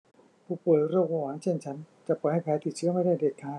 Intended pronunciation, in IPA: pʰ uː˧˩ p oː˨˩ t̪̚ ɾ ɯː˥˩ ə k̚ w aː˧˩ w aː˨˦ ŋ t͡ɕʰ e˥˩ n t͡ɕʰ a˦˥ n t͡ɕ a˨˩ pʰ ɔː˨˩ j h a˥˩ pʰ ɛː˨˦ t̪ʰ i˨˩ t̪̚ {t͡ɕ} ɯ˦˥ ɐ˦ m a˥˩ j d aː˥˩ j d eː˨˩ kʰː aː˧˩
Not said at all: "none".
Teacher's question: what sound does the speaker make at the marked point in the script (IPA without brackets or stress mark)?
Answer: t͡ɕʰ